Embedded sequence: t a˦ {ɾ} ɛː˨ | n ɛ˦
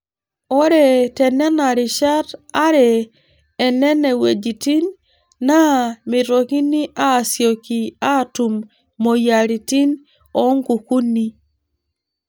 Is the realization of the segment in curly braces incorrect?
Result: no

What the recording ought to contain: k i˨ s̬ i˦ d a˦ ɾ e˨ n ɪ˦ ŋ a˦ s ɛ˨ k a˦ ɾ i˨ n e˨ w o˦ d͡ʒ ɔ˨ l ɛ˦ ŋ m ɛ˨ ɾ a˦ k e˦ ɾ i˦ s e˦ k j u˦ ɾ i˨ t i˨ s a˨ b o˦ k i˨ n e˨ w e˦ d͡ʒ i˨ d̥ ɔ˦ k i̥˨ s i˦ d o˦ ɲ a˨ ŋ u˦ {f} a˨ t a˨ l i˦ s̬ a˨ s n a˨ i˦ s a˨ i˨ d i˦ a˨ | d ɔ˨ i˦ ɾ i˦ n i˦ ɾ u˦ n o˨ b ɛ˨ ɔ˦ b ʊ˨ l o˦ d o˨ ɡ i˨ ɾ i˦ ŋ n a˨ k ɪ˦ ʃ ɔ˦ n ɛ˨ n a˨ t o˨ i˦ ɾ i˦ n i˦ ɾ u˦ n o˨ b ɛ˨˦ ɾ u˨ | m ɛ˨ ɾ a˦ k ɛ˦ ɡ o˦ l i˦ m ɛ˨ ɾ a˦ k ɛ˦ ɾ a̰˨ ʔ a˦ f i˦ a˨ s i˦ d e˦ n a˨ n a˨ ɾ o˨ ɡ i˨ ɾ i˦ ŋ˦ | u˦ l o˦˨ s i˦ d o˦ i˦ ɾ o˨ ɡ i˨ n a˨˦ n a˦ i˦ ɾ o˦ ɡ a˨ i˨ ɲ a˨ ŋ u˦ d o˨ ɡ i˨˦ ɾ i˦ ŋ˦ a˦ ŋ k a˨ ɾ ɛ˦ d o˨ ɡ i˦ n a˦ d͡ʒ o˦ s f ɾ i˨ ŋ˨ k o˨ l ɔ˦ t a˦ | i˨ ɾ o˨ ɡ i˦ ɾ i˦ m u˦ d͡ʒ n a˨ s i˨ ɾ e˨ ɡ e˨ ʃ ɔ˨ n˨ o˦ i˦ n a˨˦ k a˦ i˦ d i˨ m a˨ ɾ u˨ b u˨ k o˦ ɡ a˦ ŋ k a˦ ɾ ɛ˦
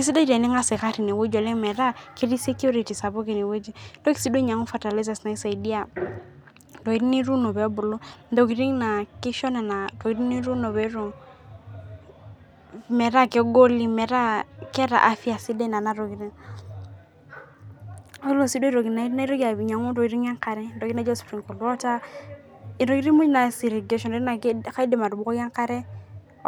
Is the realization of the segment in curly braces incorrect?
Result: no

